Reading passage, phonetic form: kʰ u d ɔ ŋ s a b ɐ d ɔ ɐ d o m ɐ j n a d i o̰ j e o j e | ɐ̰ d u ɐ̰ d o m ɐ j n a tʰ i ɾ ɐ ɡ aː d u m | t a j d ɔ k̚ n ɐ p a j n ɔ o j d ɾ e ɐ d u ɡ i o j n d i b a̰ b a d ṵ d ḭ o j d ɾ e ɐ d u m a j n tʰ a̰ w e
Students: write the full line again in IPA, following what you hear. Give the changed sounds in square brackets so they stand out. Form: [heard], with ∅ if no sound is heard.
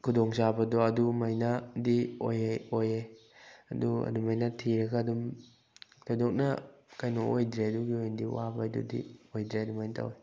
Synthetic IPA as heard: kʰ u d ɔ ŋ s a b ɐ d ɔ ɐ d [u] m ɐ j n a d i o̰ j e o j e | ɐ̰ d u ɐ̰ d [u] m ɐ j n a tʰ i ɾ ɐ ɡ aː d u m | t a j d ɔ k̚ n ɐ [k] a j n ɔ o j d ɾ e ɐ d u ɡ i o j n d i [w] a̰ b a d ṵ d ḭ o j d ɾ e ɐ d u m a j n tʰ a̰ w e